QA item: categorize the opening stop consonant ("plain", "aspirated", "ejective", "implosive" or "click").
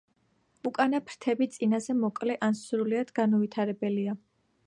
ejective